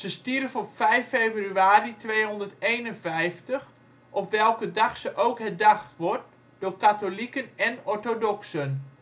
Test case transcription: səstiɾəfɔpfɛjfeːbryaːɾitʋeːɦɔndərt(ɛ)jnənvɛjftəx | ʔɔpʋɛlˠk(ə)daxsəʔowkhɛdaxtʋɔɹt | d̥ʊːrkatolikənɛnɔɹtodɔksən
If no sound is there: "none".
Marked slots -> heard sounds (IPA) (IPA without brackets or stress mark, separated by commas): e, ə